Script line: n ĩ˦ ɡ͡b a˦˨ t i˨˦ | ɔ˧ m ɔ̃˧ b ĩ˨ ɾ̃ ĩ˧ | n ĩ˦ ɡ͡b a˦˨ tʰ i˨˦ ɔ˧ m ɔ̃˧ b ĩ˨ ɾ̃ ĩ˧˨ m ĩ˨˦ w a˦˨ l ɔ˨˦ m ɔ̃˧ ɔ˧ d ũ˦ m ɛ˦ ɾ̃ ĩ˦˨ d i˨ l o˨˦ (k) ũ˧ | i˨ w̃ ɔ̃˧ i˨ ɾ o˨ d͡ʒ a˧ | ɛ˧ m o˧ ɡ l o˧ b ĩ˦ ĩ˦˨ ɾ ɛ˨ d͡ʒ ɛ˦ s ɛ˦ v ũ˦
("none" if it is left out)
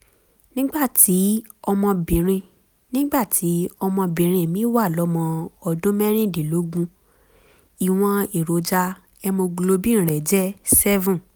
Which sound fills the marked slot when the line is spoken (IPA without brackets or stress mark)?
ɡ